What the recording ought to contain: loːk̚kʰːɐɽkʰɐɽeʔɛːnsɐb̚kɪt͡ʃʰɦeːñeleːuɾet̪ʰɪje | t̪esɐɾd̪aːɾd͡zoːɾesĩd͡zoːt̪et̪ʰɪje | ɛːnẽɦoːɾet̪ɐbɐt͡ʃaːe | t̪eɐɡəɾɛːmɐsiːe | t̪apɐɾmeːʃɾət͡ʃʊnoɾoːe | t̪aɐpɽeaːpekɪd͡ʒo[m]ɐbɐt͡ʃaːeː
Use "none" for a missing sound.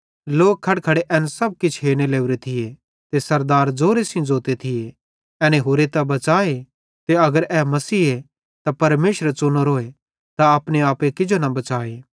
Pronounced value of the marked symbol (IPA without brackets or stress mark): n